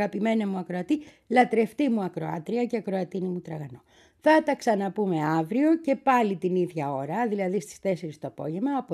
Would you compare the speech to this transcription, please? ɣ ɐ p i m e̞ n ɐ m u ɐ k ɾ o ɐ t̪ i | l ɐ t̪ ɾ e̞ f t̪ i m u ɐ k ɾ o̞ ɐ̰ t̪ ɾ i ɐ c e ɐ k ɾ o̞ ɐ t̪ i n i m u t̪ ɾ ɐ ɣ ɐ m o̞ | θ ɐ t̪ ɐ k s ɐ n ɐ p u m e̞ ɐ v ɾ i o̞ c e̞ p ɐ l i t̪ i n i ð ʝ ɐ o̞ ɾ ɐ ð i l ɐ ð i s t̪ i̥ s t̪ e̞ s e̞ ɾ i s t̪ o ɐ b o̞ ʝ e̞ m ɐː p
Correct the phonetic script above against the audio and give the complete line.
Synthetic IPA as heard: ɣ ɐ p i m e̞ n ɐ m u ɐ k ɾ o ɐ t̪ i | l ɐ t̪ ɾ e̞ f t̪ i m u ɐ k ɾ o̞ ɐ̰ t̪ ɾ i ɐ c e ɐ k ɾ o̞ ɐ t̪ i n i m u t̪ ɾ ɐ ɣ ɐ n o̞ | θ ɐ t̪ ɐ k s ɐ n ɐ p u m e̞ ɐ v ɾ i o̞ c e̞ p ɐ l i t̪ i n i ð ʝ ɐ o̞ ɾ ɐ ð i l ɐ ð i s t̪ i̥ s t̪ e̞ s e̞ ɾ i s t̪ o ɐ p o̞ ʝ e̞ m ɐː p